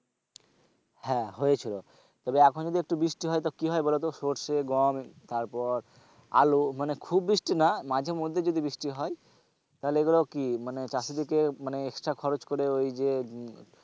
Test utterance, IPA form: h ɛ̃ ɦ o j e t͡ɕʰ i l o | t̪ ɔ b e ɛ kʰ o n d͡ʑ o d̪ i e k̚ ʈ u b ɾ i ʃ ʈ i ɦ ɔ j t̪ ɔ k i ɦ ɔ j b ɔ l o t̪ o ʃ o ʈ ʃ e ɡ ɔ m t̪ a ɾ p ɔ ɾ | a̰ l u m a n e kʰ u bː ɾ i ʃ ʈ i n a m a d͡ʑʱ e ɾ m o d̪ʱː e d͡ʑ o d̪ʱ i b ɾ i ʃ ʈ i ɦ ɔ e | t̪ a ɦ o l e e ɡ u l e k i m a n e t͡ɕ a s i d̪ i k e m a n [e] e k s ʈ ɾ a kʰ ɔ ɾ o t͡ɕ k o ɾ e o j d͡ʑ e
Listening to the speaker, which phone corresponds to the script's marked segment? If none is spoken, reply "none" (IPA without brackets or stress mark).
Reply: e